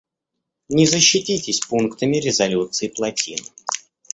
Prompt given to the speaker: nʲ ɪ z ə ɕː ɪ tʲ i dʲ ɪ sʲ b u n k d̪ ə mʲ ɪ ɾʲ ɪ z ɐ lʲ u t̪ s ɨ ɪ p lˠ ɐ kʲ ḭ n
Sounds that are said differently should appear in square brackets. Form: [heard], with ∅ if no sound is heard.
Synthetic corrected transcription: nʲ ɪ z ə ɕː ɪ tʲ i [tʲ] ɪ sʲ [p] u n k [t̪] ə mʲ ɪ ɾʲ ɪ z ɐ lʲ u t̪ s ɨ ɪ p lˠ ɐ [tʲ] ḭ n